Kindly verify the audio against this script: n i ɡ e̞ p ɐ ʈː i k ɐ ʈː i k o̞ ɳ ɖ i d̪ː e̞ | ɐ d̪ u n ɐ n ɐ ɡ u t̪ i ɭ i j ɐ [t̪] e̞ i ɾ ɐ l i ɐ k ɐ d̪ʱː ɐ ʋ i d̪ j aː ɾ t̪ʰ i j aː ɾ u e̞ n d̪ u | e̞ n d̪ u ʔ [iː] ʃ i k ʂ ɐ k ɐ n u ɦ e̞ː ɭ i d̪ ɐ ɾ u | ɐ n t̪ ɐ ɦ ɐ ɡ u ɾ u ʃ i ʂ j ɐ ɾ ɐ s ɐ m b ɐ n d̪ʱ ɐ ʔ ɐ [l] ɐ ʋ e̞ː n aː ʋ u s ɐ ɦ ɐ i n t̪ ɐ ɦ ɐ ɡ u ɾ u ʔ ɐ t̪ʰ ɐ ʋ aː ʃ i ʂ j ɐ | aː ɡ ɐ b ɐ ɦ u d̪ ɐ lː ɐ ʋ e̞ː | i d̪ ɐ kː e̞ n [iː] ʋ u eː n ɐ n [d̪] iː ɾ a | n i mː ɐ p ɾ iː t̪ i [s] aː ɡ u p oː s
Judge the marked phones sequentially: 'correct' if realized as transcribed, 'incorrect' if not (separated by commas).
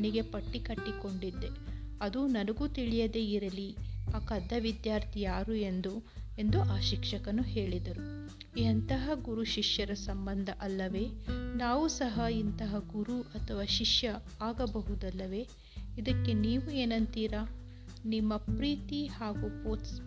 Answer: incorrect, incorrect, incorrect, correct, incorrect, incorrect